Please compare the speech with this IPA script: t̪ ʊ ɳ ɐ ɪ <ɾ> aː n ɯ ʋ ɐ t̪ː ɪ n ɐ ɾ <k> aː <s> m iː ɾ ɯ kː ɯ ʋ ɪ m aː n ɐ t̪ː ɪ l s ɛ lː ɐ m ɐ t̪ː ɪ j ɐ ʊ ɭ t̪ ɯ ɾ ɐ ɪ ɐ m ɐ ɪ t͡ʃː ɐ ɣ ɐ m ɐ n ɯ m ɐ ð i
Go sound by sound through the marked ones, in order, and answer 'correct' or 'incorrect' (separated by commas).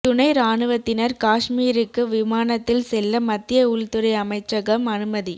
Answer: correct, correct, incorrect